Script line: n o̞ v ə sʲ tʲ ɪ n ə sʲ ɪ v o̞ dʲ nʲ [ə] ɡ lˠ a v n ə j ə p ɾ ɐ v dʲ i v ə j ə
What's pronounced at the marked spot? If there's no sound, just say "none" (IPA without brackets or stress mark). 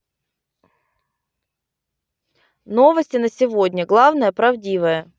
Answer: ə